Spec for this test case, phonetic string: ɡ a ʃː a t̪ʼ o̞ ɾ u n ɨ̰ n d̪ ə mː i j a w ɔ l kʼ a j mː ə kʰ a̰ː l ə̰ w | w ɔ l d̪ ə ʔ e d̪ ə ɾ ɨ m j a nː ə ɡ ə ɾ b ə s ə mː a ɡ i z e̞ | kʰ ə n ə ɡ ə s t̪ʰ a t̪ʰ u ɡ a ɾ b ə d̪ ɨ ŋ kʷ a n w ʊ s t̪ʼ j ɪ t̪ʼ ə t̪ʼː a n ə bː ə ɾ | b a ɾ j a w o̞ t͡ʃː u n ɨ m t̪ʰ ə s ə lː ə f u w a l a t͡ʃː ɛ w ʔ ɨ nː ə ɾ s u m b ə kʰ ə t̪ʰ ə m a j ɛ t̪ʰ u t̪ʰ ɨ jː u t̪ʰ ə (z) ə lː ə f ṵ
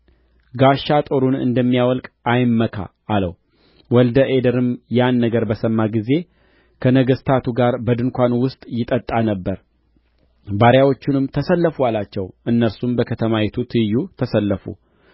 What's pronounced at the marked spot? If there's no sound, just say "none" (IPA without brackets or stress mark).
s